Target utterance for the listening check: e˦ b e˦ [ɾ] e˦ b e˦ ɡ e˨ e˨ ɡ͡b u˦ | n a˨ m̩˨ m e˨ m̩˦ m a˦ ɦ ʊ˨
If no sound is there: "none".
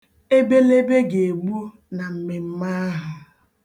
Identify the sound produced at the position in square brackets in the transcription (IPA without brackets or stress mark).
l